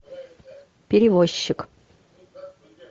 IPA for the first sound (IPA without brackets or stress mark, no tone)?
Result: pʲ